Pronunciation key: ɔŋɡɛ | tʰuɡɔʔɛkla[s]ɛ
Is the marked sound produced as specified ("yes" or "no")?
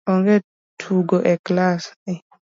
yes